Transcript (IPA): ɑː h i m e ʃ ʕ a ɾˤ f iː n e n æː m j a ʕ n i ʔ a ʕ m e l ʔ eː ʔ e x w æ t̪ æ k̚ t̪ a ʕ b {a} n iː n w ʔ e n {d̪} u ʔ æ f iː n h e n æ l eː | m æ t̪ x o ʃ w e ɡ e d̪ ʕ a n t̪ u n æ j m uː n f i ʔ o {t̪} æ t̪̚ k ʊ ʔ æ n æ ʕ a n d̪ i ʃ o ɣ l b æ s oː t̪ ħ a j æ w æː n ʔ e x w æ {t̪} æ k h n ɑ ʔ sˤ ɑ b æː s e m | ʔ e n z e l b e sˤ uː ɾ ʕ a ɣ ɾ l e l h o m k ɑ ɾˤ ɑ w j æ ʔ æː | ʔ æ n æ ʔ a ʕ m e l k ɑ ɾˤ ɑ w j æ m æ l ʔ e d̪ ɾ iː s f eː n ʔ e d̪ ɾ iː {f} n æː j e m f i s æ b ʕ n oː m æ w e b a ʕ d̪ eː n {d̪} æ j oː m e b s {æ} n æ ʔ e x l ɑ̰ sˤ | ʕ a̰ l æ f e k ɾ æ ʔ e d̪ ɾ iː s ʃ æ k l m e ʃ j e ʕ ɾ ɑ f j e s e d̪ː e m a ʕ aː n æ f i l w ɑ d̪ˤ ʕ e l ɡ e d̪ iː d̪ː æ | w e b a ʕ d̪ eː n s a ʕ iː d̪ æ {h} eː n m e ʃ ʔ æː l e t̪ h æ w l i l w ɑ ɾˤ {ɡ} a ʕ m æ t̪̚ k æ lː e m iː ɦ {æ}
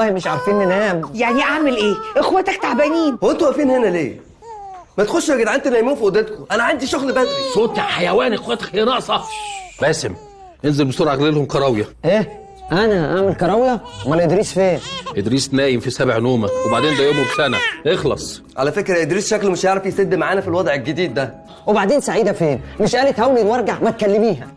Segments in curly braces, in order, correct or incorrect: incorrect: æ, incorrect: t̪, incorrect: d̪, correct, incorrect: s, correct, correct, incorrect: f, correct, correct

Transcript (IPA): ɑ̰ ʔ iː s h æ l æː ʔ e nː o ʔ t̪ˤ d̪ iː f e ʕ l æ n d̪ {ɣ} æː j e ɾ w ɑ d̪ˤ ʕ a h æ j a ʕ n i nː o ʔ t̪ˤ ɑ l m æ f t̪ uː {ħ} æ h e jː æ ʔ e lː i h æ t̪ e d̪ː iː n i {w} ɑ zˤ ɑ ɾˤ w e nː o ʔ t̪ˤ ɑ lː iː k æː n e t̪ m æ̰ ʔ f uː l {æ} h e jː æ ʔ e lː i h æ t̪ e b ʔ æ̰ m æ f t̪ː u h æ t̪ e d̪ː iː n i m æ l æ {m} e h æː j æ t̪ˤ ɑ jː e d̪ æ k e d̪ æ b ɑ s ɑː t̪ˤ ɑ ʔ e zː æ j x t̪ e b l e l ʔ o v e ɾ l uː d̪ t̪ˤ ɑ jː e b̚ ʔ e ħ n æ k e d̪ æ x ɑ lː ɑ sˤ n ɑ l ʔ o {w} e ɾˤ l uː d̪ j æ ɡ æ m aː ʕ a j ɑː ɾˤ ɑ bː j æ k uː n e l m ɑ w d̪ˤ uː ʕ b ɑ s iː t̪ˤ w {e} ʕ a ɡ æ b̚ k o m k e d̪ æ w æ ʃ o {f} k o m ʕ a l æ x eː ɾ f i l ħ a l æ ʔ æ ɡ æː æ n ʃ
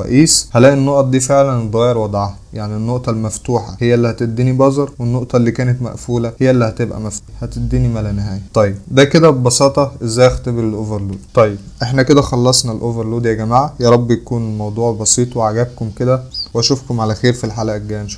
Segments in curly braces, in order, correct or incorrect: correct, correct, incorrect: b, correct, incorrect: n, incorrect: v, correct, correct

